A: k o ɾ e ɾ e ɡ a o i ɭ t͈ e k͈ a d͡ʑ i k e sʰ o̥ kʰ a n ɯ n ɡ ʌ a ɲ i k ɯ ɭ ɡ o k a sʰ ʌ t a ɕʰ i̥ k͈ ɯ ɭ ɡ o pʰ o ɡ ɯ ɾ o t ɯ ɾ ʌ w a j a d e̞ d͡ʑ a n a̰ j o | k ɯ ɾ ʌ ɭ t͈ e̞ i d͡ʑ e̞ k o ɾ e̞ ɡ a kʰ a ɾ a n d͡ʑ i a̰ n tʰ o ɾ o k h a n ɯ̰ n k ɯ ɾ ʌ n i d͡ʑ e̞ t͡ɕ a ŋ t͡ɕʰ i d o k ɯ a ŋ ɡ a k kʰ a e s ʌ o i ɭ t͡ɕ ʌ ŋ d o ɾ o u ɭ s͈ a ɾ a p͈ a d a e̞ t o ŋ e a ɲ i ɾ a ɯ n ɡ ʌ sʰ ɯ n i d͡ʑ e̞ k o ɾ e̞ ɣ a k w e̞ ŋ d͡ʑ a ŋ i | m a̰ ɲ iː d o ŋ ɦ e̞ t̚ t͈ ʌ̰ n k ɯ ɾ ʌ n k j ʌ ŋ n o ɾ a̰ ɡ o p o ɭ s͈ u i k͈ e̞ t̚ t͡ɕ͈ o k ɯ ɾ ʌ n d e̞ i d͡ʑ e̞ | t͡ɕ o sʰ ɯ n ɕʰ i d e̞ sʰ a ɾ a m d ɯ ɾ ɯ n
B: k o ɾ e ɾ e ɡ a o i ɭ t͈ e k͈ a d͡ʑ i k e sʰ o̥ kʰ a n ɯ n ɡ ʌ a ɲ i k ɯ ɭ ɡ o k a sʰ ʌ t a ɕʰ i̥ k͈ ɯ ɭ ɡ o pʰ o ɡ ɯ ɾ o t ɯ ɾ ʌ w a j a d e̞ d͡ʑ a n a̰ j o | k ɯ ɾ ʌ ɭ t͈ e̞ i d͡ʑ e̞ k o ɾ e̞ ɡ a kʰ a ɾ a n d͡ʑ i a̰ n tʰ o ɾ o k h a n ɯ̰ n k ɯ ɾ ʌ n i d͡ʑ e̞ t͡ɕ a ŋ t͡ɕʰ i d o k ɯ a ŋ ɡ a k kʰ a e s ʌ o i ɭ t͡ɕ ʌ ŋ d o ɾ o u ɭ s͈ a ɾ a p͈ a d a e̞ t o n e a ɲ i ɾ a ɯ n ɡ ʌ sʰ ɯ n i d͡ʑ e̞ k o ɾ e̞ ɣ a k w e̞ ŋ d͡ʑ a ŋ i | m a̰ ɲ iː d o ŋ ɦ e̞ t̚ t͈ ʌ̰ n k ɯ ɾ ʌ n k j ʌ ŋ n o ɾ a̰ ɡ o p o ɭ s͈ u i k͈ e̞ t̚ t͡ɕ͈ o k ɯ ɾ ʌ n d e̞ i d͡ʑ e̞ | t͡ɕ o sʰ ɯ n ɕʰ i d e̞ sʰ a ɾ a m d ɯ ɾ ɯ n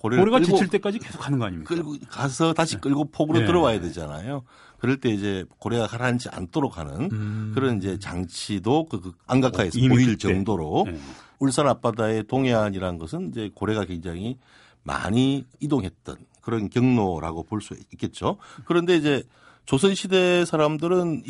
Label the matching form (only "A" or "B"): A